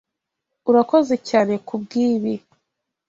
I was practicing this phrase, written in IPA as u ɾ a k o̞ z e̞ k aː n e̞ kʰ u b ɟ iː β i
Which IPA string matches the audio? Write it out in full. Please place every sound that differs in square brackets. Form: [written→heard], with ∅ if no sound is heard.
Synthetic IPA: u ɾ a k o̞ z e̞ [k→c] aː n e̞ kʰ u b [ɟ→ɡ] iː β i